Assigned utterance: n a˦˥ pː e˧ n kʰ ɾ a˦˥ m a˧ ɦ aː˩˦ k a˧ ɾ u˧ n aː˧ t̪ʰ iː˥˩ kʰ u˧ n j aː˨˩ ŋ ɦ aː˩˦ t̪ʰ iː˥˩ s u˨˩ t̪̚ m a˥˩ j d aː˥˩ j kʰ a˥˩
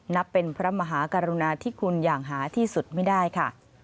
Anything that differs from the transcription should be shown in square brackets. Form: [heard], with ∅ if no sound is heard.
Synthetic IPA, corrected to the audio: n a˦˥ pː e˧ n [pʰ] ɾ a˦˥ m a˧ ɦ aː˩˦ k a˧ ɾ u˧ n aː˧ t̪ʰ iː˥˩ kʰ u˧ n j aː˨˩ ŋ ɦ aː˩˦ t̪ʰ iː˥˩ s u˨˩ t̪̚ m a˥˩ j d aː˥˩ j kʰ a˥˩